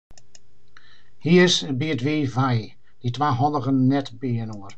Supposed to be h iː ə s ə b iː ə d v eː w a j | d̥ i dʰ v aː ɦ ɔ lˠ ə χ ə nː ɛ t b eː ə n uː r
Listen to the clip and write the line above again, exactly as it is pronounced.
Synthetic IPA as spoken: h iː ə s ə b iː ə d v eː v a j | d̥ i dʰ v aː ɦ ɔ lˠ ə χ ə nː ɛ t b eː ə n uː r